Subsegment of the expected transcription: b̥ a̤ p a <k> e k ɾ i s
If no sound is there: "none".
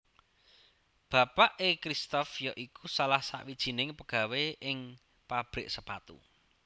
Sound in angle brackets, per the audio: ʔ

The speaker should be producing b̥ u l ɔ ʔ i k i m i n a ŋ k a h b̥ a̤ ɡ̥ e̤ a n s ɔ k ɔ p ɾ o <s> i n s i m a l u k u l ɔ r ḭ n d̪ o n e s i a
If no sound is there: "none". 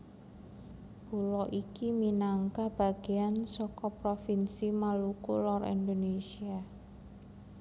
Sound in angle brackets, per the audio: f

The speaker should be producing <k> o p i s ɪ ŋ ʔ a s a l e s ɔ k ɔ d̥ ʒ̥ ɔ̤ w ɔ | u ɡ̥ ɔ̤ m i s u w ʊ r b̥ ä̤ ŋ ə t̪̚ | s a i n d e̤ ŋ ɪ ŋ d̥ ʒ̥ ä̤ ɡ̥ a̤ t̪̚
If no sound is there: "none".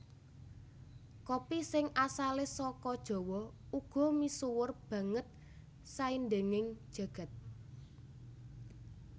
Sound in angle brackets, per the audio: k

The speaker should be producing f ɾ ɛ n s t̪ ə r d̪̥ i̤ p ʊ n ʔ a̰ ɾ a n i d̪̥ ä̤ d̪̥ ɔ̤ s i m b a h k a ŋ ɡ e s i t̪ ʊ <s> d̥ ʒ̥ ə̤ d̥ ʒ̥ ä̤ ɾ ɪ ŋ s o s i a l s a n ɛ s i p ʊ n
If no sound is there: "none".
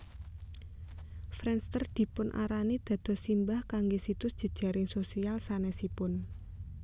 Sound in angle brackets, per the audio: s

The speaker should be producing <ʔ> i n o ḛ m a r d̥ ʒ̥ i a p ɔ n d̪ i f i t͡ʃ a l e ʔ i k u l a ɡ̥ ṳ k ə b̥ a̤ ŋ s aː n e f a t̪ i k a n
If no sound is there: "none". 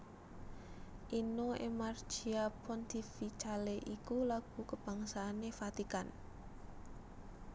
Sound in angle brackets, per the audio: ʔ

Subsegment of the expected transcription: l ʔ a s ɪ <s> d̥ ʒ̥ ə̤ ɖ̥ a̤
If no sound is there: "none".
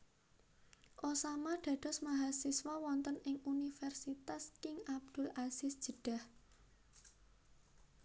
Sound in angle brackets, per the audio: s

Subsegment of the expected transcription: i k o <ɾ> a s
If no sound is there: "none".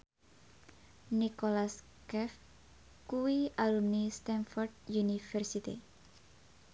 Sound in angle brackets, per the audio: l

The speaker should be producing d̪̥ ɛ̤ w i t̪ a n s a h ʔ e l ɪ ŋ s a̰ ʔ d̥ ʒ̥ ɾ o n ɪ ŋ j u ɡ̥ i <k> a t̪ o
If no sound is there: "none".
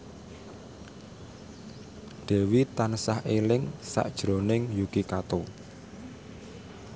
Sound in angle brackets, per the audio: k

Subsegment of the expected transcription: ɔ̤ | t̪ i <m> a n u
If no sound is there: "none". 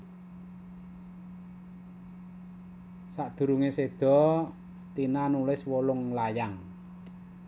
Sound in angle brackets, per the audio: n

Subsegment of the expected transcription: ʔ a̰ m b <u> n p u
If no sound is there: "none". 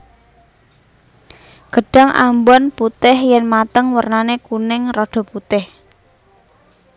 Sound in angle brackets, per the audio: ɔ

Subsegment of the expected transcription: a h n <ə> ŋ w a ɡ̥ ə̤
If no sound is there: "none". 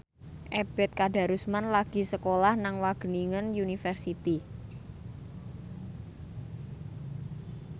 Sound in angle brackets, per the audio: a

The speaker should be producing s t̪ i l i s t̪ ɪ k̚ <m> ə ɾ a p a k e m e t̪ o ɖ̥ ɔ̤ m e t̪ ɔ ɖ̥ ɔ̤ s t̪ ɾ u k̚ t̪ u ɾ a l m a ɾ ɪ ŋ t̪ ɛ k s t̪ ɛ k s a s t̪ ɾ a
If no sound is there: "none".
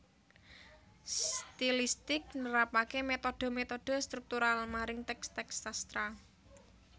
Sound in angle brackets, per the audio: n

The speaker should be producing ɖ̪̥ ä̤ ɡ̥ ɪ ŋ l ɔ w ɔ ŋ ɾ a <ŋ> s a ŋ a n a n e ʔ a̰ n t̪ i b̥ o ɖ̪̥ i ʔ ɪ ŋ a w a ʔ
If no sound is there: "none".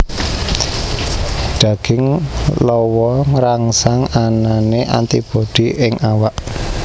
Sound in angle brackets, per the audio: ŋ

